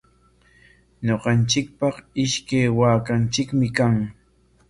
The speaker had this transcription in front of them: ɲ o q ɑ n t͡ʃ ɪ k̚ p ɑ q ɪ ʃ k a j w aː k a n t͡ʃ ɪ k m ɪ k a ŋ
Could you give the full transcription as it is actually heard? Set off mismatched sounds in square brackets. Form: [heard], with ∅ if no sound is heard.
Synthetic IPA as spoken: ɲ o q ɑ n t͡ʃ ɪ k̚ p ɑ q ɪ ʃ k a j w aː k a n t͡ʃ ɪ k m ɪ k a ŋ

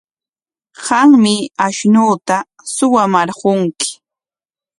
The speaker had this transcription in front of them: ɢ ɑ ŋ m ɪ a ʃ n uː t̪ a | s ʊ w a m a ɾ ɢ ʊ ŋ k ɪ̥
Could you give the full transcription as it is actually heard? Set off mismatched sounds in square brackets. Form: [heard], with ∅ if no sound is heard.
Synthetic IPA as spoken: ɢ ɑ ŋ m ɪ a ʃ n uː t̪ a | s ʊ w a m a ɾ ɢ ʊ ŋ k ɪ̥

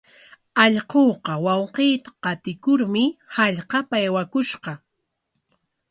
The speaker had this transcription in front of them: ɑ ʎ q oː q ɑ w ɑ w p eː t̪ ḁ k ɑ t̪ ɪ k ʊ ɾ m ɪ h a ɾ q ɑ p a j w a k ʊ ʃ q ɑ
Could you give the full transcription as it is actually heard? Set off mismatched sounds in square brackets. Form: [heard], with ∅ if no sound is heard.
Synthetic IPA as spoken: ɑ ʎ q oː q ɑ w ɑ w [q] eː t̪ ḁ [q] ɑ t̪ ɪ k ʊ ɾ m ɪ h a [ʎ] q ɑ p a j w a k ʊ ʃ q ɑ

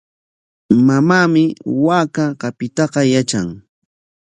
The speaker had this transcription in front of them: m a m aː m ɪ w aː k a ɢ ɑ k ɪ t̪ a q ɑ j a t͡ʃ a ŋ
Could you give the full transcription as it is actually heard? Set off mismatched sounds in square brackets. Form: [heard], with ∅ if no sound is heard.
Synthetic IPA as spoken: m a m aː m ɪ w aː k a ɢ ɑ [p] ɪ t̪ [ɑ] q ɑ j a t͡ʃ a ŋ

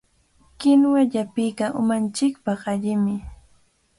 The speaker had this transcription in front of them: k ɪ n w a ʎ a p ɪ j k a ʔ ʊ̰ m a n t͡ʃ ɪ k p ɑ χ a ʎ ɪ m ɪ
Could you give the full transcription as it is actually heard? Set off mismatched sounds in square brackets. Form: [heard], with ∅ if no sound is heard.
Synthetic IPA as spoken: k ɪ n w a ʎ a p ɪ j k a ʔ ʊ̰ m a n t͡ʃ ɪ k p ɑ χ a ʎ ɪ m ɪ

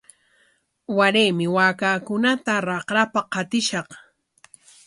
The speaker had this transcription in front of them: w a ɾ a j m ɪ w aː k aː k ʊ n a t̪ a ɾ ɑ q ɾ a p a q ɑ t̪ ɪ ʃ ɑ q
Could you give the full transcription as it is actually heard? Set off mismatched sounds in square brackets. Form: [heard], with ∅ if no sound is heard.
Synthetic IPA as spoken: w a ɾ [e] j m ɪ w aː k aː k ʊ n a t̪ a ɾ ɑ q ɾ a p a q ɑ t̪ ɪ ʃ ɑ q

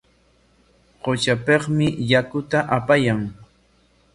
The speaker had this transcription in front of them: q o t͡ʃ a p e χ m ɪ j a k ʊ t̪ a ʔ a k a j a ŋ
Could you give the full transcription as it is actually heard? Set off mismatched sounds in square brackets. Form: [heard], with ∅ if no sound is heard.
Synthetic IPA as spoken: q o t͡ʃ a p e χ m ɪ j a k ʊ t̪ a ʔ a [p] a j a ŋ

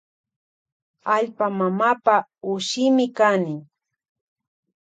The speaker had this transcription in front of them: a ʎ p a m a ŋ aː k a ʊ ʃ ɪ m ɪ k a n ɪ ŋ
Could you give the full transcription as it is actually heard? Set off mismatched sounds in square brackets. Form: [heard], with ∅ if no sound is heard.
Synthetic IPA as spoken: a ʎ p a m a [m] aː [p] a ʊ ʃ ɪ m ɪ k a n ɪ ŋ

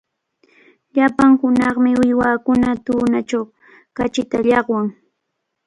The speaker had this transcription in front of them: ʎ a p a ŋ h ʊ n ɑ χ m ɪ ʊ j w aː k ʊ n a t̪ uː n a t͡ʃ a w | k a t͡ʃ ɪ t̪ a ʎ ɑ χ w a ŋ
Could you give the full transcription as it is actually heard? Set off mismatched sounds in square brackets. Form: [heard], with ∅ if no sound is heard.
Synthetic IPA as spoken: ʎ a p a ŋ h ʊ n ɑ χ m ɪ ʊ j w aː k ʊ n a t̪ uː n a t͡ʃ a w | k a t͡ʃ ɪ t̪ a ʎ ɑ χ w a ŋ

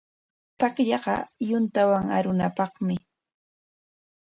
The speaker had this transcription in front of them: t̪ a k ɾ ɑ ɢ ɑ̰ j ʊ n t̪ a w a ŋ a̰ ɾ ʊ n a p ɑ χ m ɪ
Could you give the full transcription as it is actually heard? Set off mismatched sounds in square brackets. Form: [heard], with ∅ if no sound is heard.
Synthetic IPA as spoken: t̪ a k [ʎ] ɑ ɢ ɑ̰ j ʊ n t̪ a w a ŋ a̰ ɾ ʊ n a p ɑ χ m ɪ

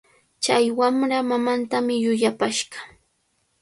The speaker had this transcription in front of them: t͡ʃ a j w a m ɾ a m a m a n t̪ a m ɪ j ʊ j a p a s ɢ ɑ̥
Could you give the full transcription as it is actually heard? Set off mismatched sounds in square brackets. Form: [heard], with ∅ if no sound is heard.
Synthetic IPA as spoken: t͡ʃ a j w a m ɾ a m a m a n t̪ a m ɪ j ʊ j a p a [ʃ] ɢ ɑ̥

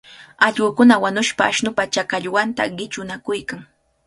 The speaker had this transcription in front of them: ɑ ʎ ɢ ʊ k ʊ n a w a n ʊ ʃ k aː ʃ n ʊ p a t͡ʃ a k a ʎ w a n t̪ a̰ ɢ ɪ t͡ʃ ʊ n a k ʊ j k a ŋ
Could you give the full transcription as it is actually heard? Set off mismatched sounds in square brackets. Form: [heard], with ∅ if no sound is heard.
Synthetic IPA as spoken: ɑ ʎ ɢ ʊ k ʊ n a w a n ʊ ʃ [p] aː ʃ n ʊ p a t͡ʃ a k a ʎ w a n t̪ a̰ ɢ ɪ t͡ʃ ʊ n a k ʊ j k a ŋ

